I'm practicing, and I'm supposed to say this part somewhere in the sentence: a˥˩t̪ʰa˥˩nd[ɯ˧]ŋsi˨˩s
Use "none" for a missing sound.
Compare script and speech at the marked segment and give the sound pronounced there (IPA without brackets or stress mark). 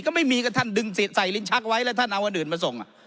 ɯ˧